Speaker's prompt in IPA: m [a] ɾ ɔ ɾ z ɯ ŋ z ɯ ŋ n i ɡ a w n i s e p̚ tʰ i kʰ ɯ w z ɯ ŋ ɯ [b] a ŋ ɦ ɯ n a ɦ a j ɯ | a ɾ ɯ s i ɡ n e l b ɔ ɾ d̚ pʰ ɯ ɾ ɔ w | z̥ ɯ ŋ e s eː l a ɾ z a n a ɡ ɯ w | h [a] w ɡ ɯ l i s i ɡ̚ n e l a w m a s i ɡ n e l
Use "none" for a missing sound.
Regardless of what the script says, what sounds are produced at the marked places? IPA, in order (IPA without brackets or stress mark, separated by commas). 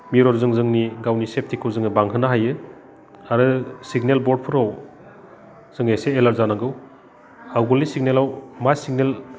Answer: i, b, a